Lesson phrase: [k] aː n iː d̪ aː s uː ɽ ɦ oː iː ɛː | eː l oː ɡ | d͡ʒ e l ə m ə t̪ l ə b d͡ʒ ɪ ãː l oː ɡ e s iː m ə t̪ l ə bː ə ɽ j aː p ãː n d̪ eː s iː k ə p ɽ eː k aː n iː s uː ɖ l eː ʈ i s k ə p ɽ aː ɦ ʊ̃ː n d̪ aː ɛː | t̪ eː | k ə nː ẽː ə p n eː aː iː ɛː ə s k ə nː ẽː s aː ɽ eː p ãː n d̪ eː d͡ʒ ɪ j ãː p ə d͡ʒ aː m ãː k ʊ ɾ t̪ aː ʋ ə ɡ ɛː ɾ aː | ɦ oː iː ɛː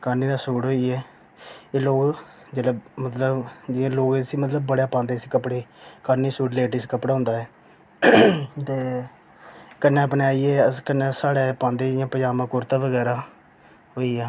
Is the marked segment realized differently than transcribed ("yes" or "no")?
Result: no